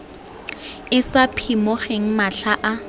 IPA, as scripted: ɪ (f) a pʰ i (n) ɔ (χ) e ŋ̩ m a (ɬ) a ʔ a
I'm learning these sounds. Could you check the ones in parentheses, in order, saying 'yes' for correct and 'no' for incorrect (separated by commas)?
no, no, yes, yes